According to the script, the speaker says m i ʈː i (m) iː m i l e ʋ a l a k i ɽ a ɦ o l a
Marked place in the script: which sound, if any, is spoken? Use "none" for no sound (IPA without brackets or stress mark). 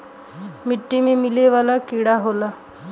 m